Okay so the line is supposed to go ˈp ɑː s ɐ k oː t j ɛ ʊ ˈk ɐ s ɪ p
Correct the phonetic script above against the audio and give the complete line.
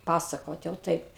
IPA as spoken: ˈp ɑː s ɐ k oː t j ɛ ʊ ˈt ɐ ɪ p